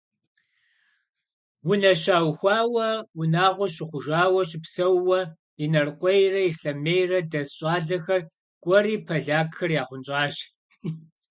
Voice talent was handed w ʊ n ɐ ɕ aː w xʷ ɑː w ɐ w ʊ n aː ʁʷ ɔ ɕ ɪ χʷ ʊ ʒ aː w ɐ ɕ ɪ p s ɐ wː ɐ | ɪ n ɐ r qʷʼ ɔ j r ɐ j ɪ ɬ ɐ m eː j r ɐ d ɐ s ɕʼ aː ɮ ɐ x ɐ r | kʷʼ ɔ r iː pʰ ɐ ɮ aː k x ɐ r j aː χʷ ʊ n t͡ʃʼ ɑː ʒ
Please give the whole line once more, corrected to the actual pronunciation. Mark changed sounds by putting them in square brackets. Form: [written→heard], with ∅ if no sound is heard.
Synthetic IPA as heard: w ʊ n ɐ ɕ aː w xʷ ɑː w ɐ w ʊ n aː ʁʷ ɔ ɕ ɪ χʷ ʊ ʒ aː w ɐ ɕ ɪ p s ɐ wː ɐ | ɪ n ɐ r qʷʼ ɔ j r ɐ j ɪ ɬ ɐ m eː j r ɐ d ɐ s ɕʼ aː ɮ ɐ x ɐ r | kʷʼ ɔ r iː pʰ ɐ ɮ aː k x ɐ r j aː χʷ ʊ n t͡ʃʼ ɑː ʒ